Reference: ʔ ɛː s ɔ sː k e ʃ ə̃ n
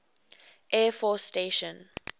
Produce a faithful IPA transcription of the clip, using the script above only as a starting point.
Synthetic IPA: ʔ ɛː f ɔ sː t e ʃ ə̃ n